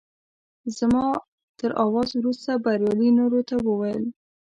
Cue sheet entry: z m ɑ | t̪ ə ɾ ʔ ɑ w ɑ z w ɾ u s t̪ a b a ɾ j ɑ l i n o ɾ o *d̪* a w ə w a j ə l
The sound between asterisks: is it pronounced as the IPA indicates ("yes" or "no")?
no